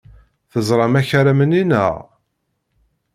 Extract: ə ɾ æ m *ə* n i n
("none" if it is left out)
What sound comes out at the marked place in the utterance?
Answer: ə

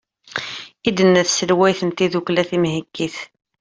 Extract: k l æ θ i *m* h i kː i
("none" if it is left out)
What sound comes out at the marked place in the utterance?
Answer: m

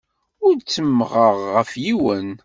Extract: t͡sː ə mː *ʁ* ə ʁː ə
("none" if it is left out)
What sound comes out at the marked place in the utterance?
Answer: ʁ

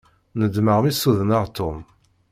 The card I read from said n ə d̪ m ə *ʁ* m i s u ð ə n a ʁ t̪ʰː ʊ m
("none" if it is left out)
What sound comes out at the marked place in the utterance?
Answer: ʁ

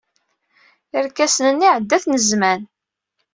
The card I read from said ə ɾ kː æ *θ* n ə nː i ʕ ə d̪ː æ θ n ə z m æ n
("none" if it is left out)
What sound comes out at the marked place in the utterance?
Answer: s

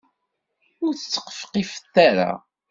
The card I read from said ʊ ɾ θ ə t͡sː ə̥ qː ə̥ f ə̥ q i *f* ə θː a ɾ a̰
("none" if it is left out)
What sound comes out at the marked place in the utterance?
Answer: f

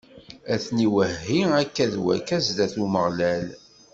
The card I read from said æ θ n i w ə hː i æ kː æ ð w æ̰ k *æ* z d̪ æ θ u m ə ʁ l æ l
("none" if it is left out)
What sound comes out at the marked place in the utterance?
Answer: æ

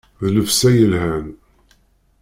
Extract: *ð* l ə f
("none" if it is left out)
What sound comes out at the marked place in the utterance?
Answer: ð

